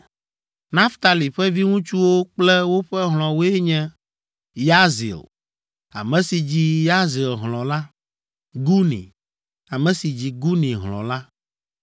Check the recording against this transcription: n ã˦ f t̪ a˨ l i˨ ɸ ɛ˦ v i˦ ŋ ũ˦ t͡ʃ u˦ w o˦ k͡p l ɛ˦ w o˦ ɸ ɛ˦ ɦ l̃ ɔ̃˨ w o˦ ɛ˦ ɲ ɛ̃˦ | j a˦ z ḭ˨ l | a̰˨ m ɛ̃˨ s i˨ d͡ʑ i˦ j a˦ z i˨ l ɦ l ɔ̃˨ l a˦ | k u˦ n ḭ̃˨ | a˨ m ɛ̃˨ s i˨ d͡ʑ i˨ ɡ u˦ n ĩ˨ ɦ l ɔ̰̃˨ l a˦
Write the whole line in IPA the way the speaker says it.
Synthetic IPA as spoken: n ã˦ f t̪ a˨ l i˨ ɸ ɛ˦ v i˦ ŋ ũ˦ t͡ʃ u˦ w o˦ k͡p l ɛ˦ w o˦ ɸ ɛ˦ ɦ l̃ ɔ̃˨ w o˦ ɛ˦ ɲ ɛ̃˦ | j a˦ z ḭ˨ l | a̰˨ m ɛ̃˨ s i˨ d͡ʑ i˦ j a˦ z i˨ l ɦ l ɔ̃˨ l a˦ | ɡ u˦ n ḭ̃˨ | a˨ m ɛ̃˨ s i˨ d͡ʑ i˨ ɡ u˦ n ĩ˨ ɦ l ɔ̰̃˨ l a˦